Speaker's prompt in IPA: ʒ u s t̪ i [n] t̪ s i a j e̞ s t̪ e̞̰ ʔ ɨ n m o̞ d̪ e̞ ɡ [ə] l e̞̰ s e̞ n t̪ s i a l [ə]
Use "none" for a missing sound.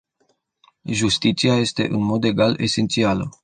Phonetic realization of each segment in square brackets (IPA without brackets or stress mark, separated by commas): none, a, ə